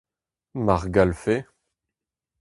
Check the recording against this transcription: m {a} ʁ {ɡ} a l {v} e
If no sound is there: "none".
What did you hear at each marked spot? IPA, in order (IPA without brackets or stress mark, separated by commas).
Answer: a, ɡ, f